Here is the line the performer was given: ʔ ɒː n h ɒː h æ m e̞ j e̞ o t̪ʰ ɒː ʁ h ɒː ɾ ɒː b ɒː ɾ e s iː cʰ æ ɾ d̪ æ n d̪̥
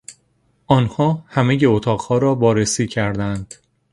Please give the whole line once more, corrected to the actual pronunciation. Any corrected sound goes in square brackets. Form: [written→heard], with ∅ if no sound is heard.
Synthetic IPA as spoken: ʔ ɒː n h ɒː h æ m e̞ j e̞ o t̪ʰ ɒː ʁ h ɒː ɾ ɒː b ɒː ɾ e s iː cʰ æ ɾ d̪ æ n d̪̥